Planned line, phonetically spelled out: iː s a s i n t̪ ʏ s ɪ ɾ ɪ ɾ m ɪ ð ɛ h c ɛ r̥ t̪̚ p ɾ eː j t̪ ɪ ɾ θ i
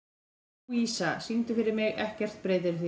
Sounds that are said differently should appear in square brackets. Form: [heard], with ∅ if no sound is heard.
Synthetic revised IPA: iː s a s i n t̪ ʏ [f] ɪ ɾ ɪ ɾ m ɪ [ɣ] ɛ h c ɛ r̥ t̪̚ p ɾ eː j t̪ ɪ ɾ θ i